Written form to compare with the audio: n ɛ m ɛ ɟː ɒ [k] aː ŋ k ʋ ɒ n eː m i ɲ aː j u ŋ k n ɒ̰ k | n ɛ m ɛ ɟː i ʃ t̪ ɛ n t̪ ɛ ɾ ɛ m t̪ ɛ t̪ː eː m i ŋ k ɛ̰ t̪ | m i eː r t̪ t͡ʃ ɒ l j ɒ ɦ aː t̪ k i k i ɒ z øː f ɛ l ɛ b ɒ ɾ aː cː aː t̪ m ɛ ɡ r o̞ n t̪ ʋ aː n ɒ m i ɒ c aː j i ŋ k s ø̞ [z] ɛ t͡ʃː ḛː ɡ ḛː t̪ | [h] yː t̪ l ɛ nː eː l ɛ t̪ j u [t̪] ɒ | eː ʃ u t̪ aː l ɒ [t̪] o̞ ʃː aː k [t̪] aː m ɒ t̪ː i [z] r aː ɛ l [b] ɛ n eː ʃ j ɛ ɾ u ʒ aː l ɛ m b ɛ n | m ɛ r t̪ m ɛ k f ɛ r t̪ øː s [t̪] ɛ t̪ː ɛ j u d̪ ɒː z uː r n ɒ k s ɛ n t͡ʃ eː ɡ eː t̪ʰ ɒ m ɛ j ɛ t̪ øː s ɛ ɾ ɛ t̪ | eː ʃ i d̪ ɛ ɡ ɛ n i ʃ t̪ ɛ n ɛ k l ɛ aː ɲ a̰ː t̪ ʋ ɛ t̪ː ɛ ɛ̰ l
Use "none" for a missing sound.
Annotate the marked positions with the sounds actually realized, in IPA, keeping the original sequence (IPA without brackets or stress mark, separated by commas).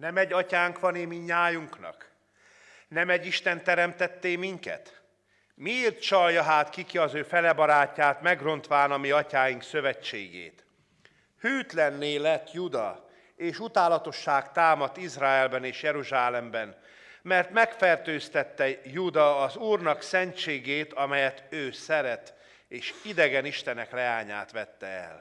c, v, h, d̪, t̪, t̪, z, b, t̪